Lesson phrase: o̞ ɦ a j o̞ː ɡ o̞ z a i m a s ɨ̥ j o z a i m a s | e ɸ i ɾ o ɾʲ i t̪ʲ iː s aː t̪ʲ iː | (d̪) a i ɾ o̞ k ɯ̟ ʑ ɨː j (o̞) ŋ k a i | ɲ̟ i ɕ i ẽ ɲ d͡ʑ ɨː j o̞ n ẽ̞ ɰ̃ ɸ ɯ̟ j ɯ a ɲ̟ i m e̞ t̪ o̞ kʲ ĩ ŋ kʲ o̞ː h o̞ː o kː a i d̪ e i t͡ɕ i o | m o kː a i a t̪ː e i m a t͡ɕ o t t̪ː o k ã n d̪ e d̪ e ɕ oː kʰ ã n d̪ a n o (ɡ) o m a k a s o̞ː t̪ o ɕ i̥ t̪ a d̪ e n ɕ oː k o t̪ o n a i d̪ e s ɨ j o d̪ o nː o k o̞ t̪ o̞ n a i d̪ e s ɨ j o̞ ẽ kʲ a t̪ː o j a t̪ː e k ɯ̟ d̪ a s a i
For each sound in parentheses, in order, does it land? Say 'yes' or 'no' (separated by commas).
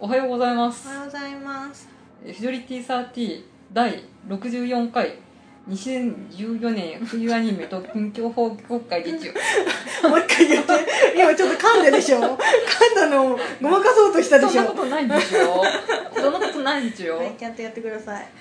yes, no, yes